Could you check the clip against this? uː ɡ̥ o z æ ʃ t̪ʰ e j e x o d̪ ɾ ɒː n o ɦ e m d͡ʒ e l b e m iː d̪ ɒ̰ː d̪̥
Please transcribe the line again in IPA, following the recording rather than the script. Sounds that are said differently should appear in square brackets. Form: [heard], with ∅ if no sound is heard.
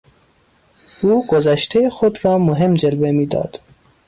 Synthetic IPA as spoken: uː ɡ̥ o z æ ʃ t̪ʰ e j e x o d̪ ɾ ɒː [m] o ɦ e m d͡ʒ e l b e m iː d̪ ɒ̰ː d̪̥